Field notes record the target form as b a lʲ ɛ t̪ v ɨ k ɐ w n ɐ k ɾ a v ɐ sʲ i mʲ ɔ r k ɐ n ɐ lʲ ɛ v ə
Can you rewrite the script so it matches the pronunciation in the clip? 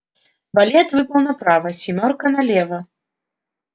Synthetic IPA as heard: b a lʲ ɛ t̪ v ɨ p ɐ w n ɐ p ɾ a v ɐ sʲ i mʲ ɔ r k ɐ n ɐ lʲ ɛ v ɐ